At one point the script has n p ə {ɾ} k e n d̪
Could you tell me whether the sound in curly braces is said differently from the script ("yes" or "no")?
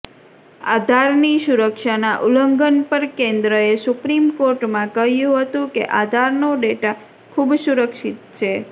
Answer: no